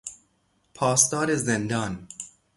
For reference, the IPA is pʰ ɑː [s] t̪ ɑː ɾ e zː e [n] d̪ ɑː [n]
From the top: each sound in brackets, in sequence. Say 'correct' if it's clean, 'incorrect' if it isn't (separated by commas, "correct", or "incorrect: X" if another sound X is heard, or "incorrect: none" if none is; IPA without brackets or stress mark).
correct, correct, correct